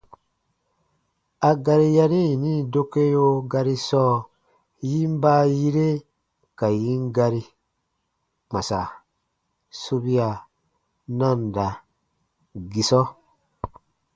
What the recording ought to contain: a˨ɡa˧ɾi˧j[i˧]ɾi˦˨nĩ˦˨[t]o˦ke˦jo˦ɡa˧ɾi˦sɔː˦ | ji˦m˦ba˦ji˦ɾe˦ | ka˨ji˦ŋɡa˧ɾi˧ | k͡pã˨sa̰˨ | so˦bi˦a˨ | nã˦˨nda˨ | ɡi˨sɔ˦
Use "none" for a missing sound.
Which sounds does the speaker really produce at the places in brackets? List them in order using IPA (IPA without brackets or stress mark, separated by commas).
a˧, d